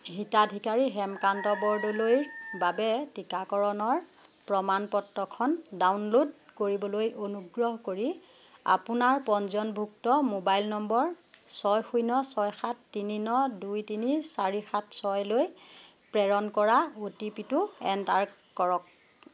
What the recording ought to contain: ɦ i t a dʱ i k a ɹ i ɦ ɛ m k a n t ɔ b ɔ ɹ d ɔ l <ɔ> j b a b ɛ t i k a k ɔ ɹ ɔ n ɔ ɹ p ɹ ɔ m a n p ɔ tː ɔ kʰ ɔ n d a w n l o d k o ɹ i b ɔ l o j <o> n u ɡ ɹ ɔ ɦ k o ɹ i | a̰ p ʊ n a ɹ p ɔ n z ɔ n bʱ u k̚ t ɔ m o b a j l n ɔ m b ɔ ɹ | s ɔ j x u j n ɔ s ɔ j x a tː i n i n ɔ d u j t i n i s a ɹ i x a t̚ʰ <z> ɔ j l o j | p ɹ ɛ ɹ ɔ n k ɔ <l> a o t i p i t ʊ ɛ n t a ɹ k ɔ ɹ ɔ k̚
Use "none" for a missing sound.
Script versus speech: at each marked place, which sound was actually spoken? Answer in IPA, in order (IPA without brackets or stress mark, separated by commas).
o, o, s, ɹ